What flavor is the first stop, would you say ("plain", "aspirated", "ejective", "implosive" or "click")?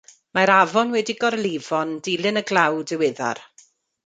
plain